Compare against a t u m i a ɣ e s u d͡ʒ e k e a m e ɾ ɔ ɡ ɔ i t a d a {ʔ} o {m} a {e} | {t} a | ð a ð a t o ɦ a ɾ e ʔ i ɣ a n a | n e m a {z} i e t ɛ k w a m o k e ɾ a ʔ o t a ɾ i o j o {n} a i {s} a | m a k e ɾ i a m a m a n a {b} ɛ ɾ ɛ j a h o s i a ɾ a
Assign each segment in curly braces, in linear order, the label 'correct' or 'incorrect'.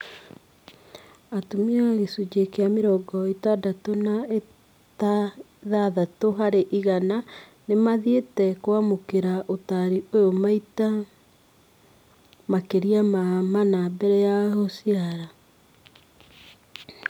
incorrect: t, incorrect: n, correct, correct, incorrect: ð, incorrect: m, incorrect: t, correct

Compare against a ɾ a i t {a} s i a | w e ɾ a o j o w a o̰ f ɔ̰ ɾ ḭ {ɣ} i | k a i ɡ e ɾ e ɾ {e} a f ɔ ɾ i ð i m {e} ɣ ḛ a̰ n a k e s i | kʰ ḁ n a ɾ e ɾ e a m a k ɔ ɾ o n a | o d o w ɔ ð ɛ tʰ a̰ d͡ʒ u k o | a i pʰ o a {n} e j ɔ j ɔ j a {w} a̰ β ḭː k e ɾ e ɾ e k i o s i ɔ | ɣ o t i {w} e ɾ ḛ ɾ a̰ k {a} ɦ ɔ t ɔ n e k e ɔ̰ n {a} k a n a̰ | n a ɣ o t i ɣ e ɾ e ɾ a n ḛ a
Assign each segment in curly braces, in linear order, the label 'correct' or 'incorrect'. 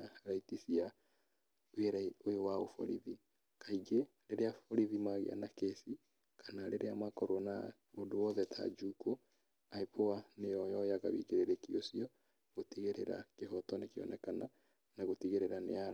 incorrect: i, incorrect: ð, correct, incorrect: a, correct, incorrect: ɣ, incorrect: ɣ, incorrect: e, incorrect: ɛ

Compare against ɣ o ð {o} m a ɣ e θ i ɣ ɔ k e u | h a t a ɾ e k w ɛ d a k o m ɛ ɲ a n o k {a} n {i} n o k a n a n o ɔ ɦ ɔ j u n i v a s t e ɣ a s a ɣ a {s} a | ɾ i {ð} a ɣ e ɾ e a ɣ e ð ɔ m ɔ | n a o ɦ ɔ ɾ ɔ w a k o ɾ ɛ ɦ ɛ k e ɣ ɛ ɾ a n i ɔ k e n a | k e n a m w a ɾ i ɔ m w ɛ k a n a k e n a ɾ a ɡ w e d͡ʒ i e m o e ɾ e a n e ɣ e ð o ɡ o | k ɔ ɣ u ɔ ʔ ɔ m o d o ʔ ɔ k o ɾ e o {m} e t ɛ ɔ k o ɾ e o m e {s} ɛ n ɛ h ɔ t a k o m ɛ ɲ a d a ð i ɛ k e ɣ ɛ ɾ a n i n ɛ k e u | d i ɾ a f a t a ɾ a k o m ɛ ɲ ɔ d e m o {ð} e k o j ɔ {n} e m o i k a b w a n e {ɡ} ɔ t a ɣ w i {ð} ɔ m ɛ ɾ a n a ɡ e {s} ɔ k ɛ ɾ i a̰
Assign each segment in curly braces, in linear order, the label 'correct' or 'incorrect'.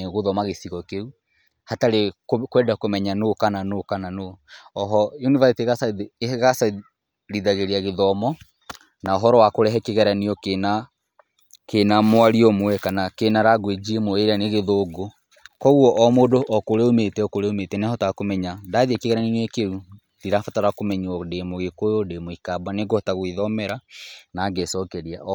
incorrect: ɔ, correct, incorrect: a, correct, correct, correct, incorrect: t, incorrect: ɣ, incorrect: d, correct, correct, correct

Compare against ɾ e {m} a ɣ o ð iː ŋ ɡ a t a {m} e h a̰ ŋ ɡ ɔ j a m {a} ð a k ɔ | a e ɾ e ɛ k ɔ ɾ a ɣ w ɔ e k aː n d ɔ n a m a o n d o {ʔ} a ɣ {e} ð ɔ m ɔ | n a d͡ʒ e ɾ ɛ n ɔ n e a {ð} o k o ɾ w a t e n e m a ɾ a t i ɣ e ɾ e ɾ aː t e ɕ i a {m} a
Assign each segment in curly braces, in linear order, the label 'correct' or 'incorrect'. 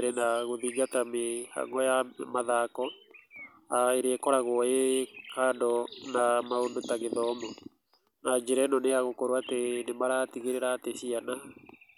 incorrect: n, correct, correct, incorrect: t, correct, incorrect: ɣ, incorrect: n

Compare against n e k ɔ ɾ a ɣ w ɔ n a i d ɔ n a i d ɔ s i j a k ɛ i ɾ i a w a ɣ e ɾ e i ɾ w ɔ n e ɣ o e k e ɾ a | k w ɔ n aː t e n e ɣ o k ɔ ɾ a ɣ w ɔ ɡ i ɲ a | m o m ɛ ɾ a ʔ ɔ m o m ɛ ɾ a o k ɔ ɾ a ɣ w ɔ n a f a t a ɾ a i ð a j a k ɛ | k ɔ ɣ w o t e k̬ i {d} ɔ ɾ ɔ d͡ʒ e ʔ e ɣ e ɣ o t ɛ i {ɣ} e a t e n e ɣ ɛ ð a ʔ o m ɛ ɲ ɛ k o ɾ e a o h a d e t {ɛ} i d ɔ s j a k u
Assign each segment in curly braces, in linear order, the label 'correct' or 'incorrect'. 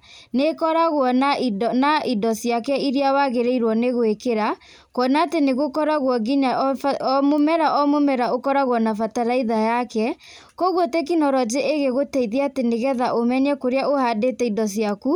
incorrect: n, incorrect: ð, correct

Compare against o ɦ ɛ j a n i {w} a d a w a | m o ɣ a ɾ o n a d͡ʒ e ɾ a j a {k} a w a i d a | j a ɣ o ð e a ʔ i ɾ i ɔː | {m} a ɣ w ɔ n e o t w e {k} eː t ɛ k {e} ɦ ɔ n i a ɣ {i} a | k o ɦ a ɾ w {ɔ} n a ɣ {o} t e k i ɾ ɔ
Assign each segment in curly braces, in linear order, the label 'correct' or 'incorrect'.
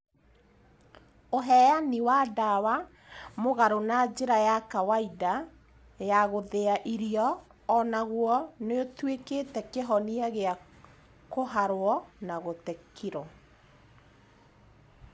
correct, correct, incorrect: n, correct, correct, incorrect: e, correct, correct

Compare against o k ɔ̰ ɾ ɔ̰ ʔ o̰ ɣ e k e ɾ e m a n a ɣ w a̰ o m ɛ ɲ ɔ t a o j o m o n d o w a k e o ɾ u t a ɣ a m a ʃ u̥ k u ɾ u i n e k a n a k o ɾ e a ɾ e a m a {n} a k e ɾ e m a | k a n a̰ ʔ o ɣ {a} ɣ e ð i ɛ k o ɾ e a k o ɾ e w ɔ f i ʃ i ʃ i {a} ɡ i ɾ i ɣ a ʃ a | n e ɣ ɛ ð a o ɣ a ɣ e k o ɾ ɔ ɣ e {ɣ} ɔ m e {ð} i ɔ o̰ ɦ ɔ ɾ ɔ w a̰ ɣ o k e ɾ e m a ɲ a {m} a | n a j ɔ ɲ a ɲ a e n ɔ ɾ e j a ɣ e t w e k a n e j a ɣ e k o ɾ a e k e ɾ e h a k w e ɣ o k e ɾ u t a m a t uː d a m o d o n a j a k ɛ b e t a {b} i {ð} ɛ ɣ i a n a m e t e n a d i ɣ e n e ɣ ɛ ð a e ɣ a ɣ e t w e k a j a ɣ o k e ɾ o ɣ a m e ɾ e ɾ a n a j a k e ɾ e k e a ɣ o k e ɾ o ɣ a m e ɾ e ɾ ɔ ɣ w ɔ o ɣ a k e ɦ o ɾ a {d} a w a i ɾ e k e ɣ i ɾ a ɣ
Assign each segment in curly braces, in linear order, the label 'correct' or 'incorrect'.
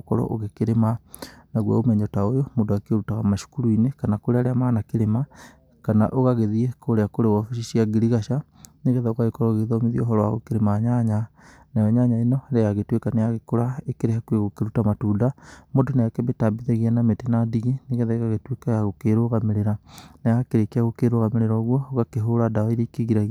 correct, correct, correct, incorrect: ð, correct, incorrect: ɲ, correct, correct, correct

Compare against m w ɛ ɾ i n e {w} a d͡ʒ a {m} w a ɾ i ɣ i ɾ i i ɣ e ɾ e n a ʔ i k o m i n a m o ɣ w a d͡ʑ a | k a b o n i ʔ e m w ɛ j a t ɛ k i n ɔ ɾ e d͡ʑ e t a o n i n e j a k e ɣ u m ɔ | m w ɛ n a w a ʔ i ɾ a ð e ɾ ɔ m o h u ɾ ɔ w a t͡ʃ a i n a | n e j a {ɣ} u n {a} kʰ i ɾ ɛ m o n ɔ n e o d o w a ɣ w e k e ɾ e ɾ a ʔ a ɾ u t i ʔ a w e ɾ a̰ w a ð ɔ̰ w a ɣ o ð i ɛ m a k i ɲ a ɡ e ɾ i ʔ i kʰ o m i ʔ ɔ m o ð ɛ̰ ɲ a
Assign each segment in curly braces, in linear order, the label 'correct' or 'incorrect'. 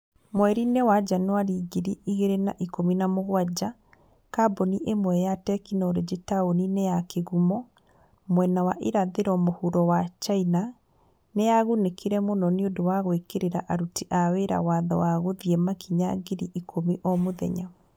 correct, incorrect: n, correct, incorrect: e

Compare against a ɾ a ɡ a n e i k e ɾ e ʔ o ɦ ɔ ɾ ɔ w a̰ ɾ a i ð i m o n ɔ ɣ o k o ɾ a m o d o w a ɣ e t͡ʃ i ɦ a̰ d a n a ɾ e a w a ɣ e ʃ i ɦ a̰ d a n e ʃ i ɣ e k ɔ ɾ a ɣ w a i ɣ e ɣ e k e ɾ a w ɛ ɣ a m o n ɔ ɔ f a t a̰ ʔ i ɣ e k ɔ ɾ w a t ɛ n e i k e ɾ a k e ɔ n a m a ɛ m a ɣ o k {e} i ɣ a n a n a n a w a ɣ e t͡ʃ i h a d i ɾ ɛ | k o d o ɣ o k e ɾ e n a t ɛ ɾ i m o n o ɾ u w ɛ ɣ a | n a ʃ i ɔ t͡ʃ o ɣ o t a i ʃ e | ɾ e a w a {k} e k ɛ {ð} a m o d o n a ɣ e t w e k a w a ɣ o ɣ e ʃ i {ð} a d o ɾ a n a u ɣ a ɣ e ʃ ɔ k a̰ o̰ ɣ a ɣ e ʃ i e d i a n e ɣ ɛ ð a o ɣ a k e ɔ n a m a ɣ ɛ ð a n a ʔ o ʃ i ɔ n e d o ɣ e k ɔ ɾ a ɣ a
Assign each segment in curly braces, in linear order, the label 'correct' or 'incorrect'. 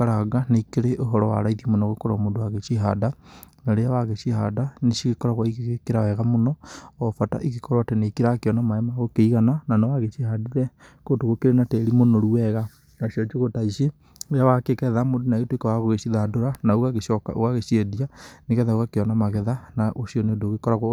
correct, correct, correct, correct

